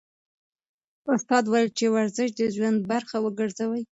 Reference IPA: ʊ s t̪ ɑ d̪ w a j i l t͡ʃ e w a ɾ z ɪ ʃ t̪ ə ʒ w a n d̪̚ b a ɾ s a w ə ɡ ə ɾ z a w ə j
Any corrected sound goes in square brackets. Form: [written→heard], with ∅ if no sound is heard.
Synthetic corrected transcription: ʊ s t̪ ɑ d̪ w a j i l t͡ʃ e w a ɾ z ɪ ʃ [t̪→d̪] ə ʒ w a n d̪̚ b a ɾ [s→x] a w ə ɡ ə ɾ z a w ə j